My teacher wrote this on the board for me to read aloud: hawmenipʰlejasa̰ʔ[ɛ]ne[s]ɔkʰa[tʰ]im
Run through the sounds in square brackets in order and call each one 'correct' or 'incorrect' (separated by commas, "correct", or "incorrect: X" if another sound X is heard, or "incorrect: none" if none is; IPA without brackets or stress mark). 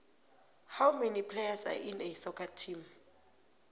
incorrect: i, correct, correct